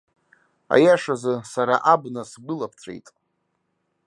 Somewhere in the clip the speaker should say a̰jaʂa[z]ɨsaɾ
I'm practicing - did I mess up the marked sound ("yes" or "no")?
no